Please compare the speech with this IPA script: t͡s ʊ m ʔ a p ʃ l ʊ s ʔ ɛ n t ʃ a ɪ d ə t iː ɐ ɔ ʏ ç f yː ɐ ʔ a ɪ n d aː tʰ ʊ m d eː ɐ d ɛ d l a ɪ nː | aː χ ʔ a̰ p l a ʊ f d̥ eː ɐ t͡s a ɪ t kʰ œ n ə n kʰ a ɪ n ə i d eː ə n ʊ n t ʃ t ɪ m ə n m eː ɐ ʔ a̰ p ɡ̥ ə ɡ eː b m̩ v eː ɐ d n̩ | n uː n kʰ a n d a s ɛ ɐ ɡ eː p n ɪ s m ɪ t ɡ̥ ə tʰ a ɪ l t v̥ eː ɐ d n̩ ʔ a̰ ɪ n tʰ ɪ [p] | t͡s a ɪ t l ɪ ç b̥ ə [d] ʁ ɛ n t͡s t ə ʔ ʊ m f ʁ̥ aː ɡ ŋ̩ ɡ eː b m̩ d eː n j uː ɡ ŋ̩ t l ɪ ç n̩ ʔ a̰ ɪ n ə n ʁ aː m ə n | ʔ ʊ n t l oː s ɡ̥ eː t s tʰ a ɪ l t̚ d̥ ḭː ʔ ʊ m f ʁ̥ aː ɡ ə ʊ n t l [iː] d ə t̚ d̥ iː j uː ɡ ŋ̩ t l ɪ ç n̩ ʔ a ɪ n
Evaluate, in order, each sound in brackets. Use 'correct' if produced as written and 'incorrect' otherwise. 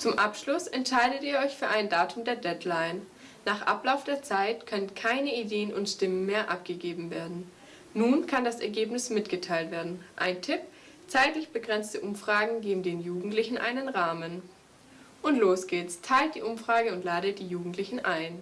correct, incorrect: ɡ, incorrect: aː

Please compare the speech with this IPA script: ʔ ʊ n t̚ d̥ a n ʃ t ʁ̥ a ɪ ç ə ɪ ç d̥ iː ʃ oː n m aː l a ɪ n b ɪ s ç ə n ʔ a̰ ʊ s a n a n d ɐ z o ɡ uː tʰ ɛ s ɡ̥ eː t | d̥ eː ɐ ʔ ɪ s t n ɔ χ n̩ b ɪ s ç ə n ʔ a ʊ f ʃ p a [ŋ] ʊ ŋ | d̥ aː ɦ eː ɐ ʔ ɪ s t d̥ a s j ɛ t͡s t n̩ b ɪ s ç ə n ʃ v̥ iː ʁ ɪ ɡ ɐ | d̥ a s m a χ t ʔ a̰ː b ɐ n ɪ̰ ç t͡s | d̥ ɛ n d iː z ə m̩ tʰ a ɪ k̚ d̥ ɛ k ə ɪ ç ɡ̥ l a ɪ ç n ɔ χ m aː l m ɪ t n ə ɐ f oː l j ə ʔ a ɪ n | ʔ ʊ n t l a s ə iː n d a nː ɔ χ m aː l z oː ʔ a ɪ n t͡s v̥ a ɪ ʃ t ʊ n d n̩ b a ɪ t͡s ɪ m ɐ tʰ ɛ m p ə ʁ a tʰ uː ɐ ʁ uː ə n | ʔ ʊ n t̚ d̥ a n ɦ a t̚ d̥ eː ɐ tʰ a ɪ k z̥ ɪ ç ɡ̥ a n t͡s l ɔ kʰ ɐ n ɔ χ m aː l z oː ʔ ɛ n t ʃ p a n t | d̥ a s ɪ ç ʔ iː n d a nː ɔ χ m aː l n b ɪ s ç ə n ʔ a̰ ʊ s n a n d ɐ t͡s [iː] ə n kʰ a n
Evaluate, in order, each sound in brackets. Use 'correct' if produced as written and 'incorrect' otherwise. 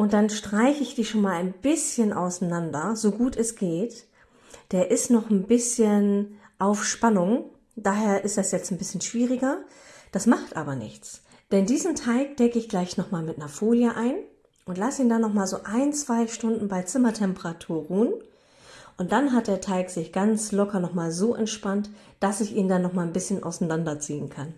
incorrect: n, correct

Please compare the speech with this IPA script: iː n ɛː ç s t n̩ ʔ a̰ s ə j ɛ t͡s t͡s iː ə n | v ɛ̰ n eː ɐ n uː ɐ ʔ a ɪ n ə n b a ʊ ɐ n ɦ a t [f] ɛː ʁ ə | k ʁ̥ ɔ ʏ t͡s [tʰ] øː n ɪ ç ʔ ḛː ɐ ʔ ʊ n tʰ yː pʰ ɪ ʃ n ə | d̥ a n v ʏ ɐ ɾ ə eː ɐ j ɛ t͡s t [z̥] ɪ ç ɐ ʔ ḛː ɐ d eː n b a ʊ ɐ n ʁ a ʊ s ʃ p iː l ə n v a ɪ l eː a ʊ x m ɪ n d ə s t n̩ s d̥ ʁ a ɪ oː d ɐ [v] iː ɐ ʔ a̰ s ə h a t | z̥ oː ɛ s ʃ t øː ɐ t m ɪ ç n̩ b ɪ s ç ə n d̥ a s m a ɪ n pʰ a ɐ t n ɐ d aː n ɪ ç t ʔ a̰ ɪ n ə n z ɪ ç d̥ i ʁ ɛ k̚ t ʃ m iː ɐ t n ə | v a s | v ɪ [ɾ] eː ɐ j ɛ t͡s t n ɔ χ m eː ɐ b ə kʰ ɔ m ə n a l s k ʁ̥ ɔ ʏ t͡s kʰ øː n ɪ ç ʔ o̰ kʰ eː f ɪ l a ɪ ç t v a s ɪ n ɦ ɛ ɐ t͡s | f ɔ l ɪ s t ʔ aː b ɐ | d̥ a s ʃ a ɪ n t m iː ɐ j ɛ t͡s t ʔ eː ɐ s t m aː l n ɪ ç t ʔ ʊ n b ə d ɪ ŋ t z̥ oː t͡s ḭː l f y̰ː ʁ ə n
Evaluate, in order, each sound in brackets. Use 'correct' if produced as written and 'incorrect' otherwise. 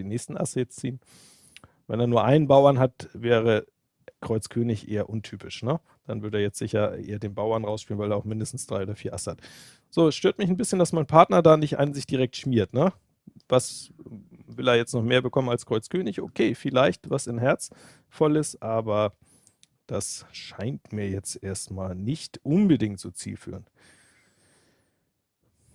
incorrect: v, incorrect: kʰ, correct, incorrect: f, incorrect: l

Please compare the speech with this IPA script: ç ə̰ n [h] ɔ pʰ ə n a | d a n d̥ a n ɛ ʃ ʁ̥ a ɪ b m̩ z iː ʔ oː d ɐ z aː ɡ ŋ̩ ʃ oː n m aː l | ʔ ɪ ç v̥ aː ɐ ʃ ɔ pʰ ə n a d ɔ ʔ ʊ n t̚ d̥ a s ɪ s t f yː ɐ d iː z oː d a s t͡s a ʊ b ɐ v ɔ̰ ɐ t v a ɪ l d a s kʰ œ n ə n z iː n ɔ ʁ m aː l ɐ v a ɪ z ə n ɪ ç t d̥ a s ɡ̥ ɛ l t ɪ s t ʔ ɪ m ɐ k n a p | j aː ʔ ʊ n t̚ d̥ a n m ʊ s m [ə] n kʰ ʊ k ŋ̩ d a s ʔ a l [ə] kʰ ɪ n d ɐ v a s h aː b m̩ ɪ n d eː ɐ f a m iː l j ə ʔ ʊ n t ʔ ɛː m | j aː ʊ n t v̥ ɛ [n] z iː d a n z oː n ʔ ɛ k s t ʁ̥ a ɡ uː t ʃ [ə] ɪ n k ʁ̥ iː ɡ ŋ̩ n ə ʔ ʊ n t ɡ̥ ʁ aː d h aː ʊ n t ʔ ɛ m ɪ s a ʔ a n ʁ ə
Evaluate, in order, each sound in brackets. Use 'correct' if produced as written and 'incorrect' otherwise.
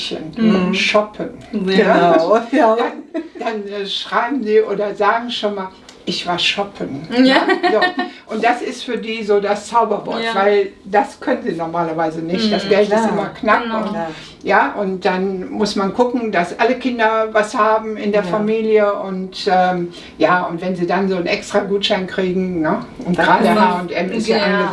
incorrect: ʃ, incorrect: a, correct, correct, incorrect: a

